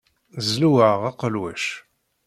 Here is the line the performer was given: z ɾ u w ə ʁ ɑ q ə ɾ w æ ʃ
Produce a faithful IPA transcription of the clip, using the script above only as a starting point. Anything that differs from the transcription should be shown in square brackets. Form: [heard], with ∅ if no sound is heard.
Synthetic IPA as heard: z [l] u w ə ʁ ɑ q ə [l] w æ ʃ